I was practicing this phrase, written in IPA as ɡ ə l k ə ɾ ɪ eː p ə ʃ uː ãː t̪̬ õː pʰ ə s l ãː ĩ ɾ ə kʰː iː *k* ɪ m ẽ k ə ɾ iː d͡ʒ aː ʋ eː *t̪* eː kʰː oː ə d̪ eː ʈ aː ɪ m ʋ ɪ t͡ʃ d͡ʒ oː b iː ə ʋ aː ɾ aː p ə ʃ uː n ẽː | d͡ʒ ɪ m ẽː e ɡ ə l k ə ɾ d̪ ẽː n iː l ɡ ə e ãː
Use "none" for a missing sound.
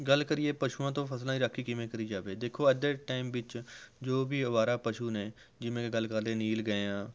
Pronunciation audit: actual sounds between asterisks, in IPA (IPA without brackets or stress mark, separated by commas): k, d̪